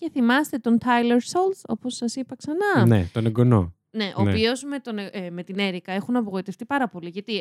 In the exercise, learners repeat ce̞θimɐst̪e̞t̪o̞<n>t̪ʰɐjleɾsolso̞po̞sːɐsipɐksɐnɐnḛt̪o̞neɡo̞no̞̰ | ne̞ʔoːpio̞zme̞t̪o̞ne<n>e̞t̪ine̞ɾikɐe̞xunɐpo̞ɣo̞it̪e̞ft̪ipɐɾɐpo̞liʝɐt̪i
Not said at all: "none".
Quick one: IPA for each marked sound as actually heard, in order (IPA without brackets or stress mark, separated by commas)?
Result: n, m